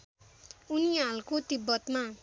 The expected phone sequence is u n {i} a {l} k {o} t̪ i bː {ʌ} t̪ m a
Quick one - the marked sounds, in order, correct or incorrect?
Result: correct, correct, correct, correct

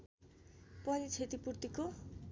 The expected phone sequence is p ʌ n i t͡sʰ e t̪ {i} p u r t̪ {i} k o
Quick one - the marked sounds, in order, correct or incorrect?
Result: correct, correct

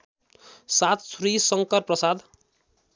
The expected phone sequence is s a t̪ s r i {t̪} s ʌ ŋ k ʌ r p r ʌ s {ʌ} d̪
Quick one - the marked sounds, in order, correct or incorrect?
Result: incorrect: none, incorrect: a

